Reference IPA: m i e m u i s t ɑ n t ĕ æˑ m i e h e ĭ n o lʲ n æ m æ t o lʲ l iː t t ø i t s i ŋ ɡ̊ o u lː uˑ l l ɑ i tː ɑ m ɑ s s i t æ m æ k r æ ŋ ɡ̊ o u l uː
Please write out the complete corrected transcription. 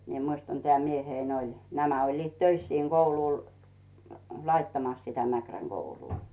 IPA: m i e m u i s t ɑ n t ĕ æˑ m i e h e ĭ n o lʲ n æ m æ o lʲ l iː t t ø i s s iː ŋ ɡ̊ o u l uˑ l l ɑ i tː ɑ m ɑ s s i t æ m æ k r æ ŋ ɡ̊ o u l uː